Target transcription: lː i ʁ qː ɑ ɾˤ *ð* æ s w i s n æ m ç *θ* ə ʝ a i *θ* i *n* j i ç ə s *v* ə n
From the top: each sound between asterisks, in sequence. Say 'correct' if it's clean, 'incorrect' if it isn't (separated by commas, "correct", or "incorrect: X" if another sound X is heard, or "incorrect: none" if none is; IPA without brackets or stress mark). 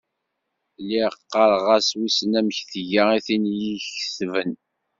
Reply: incorrect: ʁ, correct, correct, correct, correct